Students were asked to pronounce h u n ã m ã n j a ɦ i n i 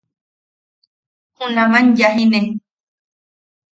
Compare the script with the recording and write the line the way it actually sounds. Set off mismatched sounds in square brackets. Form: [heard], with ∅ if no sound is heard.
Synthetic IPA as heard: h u n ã m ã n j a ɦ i n [e]

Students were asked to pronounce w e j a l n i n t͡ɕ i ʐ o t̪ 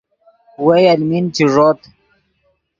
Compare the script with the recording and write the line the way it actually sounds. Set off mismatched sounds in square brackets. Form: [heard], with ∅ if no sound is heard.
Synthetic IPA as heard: w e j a l [m] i n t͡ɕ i ʐ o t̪

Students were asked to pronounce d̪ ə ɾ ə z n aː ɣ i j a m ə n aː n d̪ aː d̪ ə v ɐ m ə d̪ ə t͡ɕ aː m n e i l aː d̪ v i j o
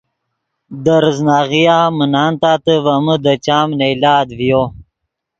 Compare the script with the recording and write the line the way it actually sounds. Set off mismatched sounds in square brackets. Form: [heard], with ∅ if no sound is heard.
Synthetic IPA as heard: d̪ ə ɾ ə z n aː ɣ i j a m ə n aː n [t̪] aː [t̪] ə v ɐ m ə d̪ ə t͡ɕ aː m n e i l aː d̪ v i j o

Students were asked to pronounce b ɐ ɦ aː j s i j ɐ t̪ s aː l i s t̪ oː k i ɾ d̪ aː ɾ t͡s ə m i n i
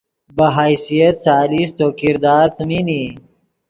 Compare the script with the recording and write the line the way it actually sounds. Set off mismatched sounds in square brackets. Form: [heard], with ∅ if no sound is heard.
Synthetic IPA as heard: b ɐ ɦ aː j s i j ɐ t̪ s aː l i s t̪ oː k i ɾ d̪ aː ɾ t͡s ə m i n i

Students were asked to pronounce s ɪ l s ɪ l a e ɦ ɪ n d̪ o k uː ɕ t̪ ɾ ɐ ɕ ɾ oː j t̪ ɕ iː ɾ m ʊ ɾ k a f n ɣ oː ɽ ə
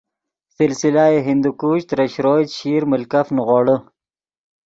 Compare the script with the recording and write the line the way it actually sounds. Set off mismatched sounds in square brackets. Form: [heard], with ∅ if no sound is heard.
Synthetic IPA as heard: s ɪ l s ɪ l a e ɦ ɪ n d̪ [u] k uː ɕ t̪ ɾ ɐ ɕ ɾ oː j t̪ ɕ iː ɾ m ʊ [l] k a f n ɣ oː ɽ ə

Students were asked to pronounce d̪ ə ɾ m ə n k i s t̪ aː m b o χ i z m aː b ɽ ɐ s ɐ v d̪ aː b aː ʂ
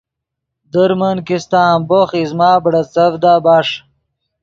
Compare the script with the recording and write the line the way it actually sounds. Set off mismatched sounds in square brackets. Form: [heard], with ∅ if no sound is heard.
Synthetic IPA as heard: d̪ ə ɾ m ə n k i s t̪ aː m b o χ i z m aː b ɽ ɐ [t͡s] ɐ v d̪ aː b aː ʂ

